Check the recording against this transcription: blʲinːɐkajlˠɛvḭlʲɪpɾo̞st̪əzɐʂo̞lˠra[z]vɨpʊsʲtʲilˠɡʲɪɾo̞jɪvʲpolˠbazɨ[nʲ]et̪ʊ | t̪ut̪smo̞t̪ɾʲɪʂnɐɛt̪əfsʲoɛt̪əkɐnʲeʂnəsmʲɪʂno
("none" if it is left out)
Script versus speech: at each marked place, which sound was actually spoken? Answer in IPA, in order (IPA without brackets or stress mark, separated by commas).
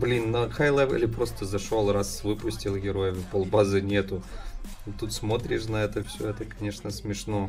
s, nʲ